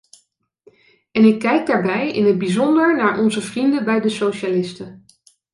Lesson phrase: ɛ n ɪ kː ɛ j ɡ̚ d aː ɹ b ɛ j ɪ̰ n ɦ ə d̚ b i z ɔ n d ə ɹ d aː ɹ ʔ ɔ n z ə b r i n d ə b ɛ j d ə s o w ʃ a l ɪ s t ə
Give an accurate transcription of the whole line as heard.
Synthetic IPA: ɛ n ɪ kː ɛ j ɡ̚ d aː ɹ b ɛ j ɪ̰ n ɦ ə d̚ b i z ɔ n d ə ɹ n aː ɹ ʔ ɔ n z ə v r i n d ə b ɛ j d ə s o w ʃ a l ɪ s t ə